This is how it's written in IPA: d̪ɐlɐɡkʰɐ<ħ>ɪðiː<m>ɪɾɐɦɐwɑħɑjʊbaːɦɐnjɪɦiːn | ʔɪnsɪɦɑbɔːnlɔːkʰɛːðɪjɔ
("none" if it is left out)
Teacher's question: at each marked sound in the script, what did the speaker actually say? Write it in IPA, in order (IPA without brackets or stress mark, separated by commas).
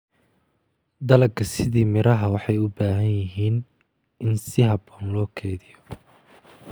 s, m